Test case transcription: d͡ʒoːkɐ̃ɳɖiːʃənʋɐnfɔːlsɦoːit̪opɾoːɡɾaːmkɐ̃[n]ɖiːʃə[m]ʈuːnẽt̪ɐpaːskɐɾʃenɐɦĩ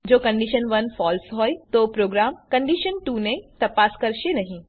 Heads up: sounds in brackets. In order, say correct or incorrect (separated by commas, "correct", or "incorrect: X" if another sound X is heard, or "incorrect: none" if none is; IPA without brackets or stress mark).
incorrect: ɳ, incorrect: n